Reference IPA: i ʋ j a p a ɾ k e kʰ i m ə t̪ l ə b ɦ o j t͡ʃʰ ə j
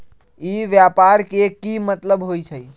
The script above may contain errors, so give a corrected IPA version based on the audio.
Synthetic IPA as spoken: i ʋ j a p a ɾ k e k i m ə t̪ l ə b ɦ o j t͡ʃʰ ə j

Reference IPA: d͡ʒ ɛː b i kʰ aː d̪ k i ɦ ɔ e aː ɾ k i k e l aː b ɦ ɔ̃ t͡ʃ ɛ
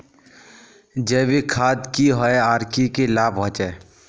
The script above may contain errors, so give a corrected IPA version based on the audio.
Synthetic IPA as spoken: d͡ʒ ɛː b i kʰ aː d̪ k i ɦ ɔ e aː ɾ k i k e l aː b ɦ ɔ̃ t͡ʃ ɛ

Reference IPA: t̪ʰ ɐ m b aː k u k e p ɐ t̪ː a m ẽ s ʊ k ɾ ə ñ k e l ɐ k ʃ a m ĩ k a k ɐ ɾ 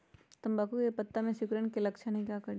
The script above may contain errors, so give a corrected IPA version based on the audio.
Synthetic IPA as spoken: t̪ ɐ m b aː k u k e p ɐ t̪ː a m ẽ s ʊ k ɾ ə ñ k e l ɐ k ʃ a n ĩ k a k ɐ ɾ

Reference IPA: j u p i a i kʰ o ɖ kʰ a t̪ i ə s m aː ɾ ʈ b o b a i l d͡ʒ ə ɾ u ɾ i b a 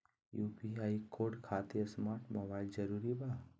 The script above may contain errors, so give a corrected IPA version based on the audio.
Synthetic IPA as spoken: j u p i a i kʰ o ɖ kʰ a t̪ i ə s m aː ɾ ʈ m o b a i l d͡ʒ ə ɾ u ɾ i b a

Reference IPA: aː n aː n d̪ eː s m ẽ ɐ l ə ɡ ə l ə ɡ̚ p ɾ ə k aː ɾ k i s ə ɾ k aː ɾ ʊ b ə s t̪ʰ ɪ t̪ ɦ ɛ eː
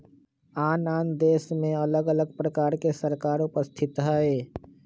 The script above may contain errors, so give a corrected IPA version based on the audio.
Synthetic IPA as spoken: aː n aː n d̪ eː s m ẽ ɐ l ə ɡ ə l ə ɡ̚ p ɾ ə k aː ɾ k e s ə ɾ k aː ɾ ʊ p ə s t̪ʰ ɪ t̪ ɦ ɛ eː

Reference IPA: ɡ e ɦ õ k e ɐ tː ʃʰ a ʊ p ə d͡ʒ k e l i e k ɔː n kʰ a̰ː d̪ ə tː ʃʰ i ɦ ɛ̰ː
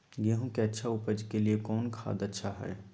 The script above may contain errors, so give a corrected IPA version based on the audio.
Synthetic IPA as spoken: ɡ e ɦ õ k e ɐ tː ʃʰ a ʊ p ə d͡ʒ k e l i e k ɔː n kʰ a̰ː d̪ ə tː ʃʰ a ɦ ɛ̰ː

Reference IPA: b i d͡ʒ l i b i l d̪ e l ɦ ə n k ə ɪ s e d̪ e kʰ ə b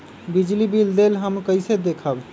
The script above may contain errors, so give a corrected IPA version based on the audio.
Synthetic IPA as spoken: b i d͡ʒ l i b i l d̪ e l ɦ ə m k ə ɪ s e d̪ e kʰ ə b

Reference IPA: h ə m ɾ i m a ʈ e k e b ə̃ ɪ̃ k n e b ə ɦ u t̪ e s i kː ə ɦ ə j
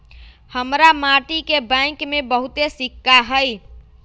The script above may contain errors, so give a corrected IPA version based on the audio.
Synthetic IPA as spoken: h ə m ɾ a m a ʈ i k e b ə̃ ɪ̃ k m e b ə ɦ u t̪ e s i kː a ɦ ə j

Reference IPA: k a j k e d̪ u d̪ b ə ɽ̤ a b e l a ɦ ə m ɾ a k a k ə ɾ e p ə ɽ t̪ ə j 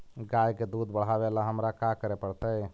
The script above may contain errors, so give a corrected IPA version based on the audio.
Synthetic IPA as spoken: ɡ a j k e d̪ u d̪ b ə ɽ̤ a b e l a ɦ ə m ɾ a k a k ə ɾ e p ə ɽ t̪ ə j

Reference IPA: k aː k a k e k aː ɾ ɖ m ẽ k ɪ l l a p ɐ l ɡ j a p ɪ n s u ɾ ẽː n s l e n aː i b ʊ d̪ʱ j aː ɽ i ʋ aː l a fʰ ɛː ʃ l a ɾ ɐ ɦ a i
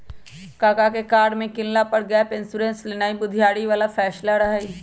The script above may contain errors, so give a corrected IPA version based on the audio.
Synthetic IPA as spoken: k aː k a k e k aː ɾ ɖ m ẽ k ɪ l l a p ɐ ɽ ɡ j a p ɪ n s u ɾ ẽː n s l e n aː i b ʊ d̪ʱ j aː ɽ i ʋ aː l a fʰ ɛː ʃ l a ɾ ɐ ɦ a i

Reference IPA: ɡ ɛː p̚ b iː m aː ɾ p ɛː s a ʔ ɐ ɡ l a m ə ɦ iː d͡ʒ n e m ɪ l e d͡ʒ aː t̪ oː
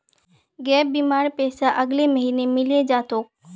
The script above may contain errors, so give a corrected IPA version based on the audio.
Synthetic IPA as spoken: ɡ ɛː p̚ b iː m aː ɾ p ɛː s a ʔ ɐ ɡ l e m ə ɦ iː n e m ɪ l e d͡ʒ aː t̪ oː

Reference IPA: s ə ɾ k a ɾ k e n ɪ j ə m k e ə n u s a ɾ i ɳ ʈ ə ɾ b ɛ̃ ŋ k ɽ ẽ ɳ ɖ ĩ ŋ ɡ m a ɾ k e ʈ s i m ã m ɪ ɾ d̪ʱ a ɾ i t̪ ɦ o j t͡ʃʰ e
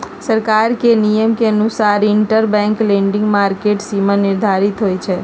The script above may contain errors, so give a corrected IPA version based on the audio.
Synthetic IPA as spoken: s ə ɾ k a ɾ k e n i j ə m k e ə n u s a ɾ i ɳ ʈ ə ɾ b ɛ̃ ŋ k l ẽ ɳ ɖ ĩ ŋ ɡ m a ɾ k e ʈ s i m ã n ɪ ɾ d̪ʱ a ɾ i t̪ ɦ o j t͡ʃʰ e

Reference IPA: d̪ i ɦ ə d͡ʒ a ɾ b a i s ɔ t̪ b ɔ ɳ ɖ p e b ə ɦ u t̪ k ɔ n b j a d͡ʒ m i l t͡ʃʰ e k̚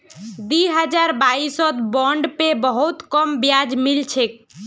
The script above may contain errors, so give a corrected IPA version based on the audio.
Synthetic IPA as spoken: d̪ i ɦ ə d͡ʒ a ɾ b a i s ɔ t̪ b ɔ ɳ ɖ p e b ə ɦ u t̪ k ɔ m b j a d͡ʒ m i l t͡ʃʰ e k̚

